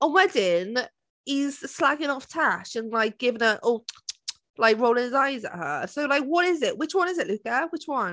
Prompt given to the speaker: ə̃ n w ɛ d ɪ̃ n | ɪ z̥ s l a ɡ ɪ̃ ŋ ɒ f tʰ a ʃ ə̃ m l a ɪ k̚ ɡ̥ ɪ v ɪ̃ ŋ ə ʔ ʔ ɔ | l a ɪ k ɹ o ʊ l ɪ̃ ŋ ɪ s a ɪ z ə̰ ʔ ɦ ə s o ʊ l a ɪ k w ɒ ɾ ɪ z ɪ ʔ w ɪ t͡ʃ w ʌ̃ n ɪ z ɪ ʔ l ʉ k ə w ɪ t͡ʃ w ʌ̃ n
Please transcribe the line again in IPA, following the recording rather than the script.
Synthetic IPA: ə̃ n w ɛ d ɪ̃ n | ɪ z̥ s l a ɡ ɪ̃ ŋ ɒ f tʰ a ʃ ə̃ n l a ɪ k̚ ɡ̥ ɪ v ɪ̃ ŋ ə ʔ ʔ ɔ | l a ɪ k ɹ o ʊ l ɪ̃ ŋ ɪ z a ɪ z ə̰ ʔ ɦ ə s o ʊ l a ɪ k w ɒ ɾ ɪ z ɪ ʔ w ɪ t͡ʃ w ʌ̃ n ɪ z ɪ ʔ l ʉ k ə w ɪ t͡ʃ w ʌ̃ n